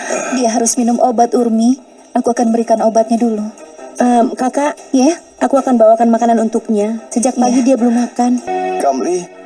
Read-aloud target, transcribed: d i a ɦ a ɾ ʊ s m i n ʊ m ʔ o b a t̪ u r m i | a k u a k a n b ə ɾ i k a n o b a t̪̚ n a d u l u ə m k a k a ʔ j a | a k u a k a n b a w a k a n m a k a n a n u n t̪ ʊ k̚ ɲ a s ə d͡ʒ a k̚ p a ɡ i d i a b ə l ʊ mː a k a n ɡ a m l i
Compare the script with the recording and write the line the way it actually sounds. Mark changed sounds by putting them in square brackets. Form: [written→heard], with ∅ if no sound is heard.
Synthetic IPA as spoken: d i a ɦ a ɾ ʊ s m i n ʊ m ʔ o b a t̪ u r m i | a k u a k a n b ə ɾ i k a n o b a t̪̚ [n→ɲ] a d u l u ə m k a k a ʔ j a | a k u a k a n b a w a k a n m a k a n a n u n t̪ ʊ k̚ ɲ a s ə d͡ʒ a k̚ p a ɡ i d i a b ə l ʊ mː a k a n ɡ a m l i